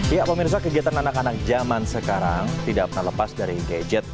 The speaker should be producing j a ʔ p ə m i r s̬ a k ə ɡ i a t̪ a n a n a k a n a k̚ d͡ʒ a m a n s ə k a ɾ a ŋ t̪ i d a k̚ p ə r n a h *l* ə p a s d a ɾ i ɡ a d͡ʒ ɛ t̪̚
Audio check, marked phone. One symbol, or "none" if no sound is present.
l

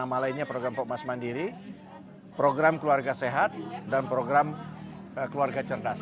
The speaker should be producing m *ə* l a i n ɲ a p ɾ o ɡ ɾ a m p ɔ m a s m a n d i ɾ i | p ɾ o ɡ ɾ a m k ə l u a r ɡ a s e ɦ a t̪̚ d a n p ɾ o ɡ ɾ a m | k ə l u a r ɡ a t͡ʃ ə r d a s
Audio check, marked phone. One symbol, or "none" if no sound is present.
a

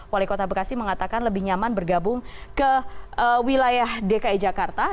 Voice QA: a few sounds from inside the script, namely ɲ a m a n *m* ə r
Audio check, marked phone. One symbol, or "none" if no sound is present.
b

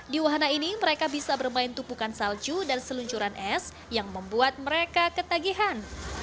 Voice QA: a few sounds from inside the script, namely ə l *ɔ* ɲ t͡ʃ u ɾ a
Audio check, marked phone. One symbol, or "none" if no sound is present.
u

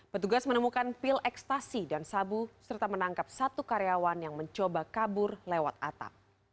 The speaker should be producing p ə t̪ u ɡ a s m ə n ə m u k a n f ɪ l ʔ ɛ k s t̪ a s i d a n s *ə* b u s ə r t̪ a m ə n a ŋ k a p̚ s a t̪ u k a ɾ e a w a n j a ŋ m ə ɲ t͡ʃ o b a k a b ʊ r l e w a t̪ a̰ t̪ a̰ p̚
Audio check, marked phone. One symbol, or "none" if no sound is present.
a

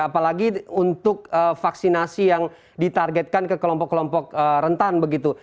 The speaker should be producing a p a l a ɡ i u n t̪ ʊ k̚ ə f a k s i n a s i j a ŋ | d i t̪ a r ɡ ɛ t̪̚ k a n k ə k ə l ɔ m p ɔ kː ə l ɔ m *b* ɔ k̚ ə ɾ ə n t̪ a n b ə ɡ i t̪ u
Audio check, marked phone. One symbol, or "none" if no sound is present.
p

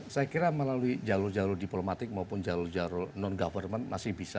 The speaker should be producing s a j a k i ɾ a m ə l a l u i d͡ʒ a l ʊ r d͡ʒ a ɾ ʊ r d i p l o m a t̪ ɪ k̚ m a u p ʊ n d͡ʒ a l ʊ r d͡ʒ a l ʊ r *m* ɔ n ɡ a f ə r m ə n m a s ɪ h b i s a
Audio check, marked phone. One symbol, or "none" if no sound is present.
n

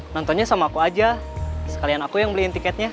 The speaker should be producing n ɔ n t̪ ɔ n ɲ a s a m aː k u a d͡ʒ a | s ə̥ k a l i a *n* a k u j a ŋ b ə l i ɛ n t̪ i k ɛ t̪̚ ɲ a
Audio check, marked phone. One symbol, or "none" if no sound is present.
n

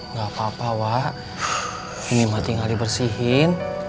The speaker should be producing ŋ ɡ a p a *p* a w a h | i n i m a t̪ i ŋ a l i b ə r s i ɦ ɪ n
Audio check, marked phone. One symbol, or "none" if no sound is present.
p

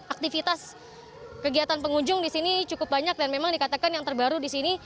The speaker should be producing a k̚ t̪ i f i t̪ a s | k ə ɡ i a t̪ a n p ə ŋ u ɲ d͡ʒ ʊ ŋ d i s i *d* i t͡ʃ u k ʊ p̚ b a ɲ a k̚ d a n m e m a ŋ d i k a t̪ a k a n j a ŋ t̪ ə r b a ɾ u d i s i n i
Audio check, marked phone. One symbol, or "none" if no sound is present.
n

